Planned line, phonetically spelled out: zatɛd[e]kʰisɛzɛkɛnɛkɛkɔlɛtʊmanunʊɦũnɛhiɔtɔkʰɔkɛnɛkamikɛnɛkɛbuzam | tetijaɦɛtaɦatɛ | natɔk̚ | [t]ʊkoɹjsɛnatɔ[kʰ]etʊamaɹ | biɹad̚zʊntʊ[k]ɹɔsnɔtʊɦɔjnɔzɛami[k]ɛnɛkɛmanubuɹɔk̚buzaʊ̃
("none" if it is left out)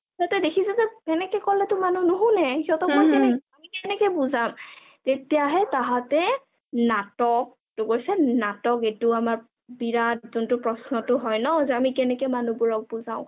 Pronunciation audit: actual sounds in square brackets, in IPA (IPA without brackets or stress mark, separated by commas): e, t, k, p, k